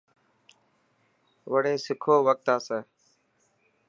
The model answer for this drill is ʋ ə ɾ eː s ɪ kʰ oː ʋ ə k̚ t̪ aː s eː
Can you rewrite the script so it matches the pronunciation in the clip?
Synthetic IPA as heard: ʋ ə ɽ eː s ɪ kʰ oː ʋ ə k̚ t̪ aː s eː